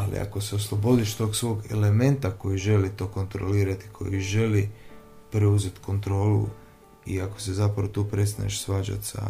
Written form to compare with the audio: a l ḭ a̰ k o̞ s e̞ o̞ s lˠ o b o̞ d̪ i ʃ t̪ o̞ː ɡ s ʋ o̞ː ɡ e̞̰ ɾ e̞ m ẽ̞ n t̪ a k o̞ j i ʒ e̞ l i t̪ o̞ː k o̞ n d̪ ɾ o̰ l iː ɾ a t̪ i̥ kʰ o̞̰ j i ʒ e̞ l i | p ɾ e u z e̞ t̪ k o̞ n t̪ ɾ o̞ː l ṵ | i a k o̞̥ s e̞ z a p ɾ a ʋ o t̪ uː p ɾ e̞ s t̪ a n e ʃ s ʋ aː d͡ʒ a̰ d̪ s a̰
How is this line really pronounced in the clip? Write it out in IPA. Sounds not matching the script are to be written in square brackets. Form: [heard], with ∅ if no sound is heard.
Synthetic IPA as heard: a l ḭ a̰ k o̞ s e̞ o̞ s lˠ o b o̞ d̪ i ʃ t̪ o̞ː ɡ s ʋ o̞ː ɡ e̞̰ [l] e̞ m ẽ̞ n t̪ a k o̞ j i ʒ e̞ l i t̪ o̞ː k o̞ n [t̪] ɾ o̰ l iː ɾ a t̪ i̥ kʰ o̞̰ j i ʒ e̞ l i | p ɾ e u z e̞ t̪ k o̞ n t̪ ɾ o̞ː l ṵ | i a k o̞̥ s e̞ z a p ɾ a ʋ o t̪ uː p ɾ e̞ s t̪ a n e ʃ s ʋ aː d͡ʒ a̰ [t̪] s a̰